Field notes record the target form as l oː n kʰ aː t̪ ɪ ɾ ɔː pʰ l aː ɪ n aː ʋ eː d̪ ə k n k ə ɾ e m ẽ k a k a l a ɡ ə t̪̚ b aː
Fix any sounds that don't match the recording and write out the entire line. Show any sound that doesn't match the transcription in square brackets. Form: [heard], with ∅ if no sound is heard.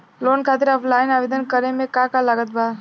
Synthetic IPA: l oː n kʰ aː t̪ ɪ ɾ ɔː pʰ l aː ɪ n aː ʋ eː d̪ ə [∅] n k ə ɾ e m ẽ k a k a l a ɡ ə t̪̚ b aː

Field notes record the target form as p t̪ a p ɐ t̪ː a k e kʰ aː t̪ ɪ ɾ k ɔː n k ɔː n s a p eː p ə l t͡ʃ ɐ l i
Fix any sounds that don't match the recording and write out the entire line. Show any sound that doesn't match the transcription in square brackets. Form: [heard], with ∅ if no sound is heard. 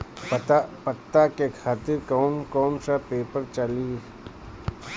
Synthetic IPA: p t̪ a p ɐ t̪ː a k e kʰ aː t̪ ɪ ɾ k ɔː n k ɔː n s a p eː p ə [ɾ] t͡ʃ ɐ l i

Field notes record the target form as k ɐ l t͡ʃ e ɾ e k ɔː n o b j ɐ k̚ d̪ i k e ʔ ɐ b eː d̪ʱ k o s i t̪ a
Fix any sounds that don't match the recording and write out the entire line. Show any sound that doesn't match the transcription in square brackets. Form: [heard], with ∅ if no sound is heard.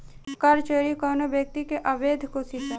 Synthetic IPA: k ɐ [ɾ] t͡ʃ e ɾ [i] k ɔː n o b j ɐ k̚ [t̪] i k e ʔ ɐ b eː d̪ʱ k o s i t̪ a

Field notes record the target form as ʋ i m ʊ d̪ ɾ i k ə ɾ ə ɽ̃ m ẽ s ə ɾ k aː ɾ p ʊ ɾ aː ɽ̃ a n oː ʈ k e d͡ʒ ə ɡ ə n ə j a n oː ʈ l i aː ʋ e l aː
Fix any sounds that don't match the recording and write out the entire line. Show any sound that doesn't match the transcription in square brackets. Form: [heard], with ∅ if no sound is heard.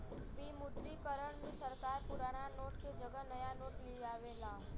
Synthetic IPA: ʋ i m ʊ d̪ ɾ i k ə ɾ ə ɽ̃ m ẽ s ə ɾ k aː ɾ p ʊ ɾ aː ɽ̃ a n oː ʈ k e d͡ʒ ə ɡ ə n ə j a n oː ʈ l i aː ʋ e l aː

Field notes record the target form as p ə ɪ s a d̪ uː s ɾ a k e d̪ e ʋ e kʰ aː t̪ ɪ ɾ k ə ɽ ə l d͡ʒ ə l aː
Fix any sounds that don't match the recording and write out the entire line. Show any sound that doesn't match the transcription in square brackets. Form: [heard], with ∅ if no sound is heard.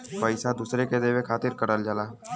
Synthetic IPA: p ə ɪ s a d̪ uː s ɾ [e] k e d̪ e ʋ e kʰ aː t̪ ɪ ɾ k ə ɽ ə l d͡ʒ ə l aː

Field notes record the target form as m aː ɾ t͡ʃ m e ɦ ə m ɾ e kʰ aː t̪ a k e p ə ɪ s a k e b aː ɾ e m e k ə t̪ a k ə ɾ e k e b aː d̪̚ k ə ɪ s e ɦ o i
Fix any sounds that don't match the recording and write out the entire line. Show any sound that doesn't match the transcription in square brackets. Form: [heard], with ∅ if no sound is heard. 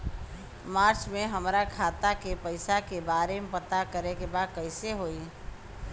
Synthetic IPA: m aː ɾ t͡ʃ m e ɦ ə m ɾ [a] kʰ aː t̪ a k e p ə ɪ s a k e b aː ɾ e m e [p] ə t̪ a k ə ɾ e k e b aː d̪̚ k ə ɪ s e ɦ o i

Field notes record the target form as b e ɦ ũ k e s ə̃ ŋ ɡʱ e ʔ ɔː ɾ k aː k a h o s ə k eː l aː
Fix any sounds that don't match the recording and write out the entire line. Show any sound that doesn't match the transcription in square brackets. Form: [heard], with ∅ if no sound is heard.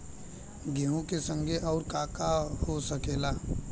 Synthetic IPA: [ɡ] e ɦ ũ k e s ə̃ ŋ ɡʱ e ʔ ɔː ɾ k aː k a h o s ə k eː l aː

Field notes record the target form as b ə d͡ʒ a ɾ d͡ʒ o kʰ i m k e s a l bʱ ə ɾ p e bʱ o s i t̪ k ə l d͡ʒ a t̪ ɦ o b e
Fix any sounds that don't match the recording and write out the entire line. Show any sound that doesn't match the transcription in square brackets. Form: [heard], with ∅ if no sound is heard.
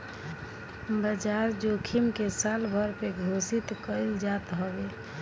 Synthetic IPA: b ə d͡ʒ a ɾ d͡ʒ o kʰ i m k e s a l bʱ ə ɾ p e [ɡʱ] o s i t̪ k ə l d͡ʒ a t̪ ɦ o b e

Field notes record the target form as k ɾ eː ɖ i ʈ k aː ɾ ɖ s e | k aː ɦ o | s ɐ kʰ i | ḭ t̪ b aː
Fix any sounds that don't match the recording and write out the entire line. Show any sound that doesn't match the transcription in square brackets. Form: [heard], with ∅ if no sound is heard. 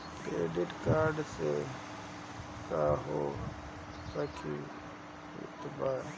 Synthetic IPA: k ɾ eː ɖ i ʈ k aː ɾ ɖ s e | k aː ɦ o | s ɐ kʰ i | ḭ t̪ b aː

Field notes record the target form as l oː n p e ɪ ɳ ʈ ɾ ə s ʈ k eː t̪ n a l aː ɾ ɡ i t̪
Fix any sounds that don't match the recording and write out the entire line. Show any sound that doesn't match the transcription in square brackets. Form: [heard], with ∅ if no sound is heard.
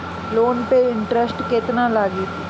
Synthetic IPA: l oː n p e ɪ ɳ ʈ ɾ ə s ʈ k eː t̪ n a l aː [∅] ɡ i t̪

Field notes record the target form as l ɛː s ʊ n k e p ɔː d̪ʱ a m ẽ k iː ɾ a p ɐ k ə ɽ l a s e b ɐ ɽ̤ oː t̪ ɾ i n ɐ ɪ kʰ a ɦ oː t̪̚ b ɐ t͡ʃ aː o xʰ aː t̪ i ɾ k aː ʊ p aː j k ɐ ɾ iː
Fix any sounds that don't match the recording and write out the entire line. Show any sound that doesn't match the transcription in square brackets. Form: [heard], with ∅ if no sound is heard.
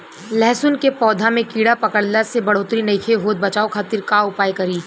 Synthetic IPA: l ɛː s ʊ n k e p ɔː d̪ʱ a m ẽ k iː [ɽ] a p ɐ k ə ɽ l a s e b ɐ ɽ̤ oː t̪ ɾ i n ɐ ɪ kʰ [e] ɦ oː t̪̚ b ɐ t͡ʃ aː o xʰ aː t̪ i ɾ k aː ʊ p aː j k ɐ ɾ iː

